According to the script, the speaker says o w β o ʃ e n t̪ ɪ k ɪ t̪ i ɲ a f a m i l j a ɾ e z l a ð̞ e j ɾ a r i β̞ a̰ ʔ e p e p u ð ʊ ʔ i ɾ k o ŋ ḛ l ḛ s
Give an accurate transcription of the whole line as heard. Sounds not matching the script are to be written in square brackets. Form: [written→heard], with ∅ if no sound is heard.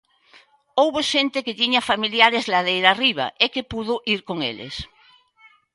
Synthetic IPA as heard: o w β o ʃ e n t̪ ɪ k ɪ t̪ i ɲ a f a m i l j a ɾ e z l a ð̞ e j ɾ a r i β̞ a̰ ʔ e [p→k] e p u ð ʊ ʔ i ɾ k o ŋ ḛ l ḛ s